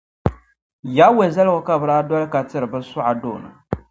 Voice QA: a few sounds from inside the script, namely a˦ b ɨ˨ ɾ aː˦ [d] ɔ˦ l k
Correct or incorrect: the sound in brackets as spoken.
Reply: correct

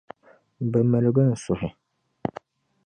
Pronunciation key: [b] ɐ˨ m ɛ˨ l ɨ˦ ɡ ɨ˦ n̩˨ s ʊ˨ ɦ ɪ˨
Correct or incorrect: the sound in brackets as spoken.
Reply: correct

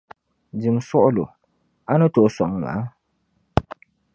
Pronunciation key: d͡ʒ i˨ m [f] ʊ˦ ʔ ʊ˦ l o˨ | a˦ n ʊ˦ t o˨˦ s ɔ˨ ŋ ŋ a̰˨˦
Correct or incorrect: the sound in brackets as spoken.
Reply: incorrect: s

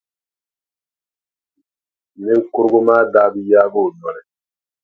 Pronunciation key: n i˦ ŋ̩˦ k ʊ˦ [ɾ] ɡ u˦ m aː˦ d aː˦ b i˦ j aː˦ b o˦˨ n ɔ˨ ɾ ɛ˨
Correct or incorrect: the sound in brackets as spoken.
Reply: correct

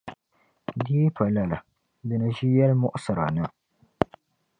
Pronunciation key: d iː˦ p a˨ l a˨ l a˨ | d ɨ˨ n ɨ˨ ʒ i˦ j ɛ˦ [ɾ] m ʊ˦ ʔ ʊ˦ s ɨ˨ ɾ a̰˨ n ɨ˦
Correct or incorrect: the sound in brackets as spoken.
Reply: incorrect: l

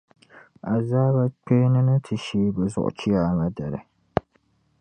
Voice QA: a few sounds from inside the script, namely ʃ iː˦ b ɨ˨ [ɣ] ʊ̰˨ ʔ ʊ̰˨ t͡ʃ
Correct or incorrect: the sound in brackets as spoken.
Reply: incorrect: z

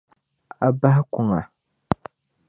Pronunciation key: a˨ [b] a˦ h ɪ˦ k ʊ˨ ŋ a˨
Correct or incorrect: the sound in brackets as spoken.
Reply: correct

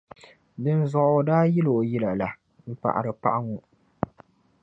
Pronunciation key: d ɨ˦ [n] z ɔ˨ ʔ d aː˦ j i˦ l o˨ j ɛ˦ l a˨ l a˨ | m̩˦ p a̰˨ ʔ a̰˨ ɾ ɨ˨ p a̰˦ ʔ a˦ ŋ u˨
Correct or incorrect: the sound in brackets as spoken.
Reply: correct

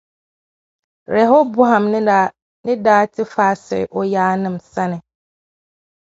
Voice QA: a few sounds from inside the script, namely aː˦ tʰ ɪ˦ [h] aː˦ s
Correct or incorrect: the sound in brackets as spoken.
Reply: incorrect: f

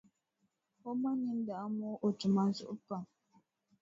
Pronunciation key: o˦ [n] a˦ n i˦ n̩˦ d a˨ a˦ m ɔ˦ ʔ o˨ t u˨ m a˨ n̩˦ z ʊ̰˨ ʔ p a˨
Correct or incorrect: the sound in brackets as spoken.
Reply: incorrect: m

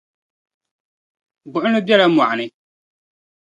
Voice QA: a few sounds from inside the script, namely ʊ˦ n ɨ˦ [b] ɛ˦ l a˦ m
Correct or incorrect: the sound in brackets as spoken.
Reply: correct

